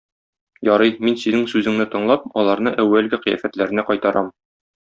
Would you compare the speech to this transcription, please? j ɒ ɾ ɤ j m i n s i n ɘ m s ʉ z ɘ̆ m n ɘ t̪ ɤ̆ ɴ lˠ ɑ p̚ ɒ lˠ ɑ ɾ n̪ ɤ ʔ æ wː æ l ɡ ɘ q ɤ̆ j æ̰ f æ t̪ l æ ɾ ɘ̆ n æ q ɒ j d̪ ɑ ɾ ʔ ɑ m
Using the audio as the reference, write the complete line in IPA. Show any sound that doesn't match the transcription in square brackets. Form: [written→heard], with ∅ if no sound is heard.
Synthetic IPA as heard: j ɒ ɾ ɤ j m i n s i n ɘ [m→ŋ] s ʉ z ɘ̆ [m→ŋ] n ɘ t̪ ɤ̆ ɴ lˠ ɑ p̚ ɒ lˠ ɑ ɾ n̪ ɤ ʔ æ wː æ l ɡ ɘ q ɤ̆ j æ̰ f æ t̪ l æ ɾ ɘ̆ n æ q ɒ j [d̪→t̪] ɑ ɾ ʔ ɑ m